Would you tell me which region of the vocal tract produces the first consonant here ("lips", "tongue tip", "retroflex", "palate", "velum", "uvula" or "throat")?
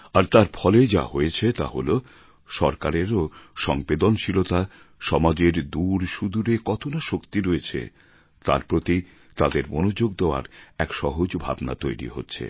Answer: tongue tip